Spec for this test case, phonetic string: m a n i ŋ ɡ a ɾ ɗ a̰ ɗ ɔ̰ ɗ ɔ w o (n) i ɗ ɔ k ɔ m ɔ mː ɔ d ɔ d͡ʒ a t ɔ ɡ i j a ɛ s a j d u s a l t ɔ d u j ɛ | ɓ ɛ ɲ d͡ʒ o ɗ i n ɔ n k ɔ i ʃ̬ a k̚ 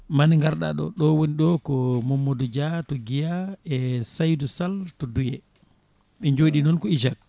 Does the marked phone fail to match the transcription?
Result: no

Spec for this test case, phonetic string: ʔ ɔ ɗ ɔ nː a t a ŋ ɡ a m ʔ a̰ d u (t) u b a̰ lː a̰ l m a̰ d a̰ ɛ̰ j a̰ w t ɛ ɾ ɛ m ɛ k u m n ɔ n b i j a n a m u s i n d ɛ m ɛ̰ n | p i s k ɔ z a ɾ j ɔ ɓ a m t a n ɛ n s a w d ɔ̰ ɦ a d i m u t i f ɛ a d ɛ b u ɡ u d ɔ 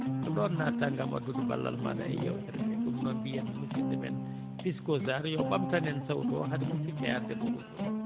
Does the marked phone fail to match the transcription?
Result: yes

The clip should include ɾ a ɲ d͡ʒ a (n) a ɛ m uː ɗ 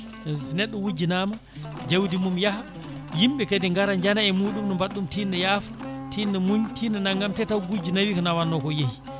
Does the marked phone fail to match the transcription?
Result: no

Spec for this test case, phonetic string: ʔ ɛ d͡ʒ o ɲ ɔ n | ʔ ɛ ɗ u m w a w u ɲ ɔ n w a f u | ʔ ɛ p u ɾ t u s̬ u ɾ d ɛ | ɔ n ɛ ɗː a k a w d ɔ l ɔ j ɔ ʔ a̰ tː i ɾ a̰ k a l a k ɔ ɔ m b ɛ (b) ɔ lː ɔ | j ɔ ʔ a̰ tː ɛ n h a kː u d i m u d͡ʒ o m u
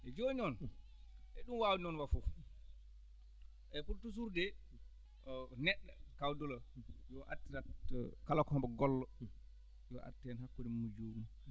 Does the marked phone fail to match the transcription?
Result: yes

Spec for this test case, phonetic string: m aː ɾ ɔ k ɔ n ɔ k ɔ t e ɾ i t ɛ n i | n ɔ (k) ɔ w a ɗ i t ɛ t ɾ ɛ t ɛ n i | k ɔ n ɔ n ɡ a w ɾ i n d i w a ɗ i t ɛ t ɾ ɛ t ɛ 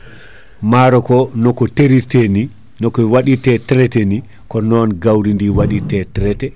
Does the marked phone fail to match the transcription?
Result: no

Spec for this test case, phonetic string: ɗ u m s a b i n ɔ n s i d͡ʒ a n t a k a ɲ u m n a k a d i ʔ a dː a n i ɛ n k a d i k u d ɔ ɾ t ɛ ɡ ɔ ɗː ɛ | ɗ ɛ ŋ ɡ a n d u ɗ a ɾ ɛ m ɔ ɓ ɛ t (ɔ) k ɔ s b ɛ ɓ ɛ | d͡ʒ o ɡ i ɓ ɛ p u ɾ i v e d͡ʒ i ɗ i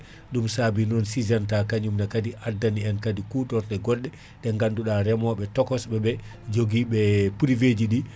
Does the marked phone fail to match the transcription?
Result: no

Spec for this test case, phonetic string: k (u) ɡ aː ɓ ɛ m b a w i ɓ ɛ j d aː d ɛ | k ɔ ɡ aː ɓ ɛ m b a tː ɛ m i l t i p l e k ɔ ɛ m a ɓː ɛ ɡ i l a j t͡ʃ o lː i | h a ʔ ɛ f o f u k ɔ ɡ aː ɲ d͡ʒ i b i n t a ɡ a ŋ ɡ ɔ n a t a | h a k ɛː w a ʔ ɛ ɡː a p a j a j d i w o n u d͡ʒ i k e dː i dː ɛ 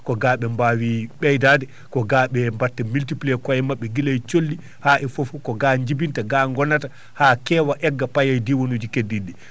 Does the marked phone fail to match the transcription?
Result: yes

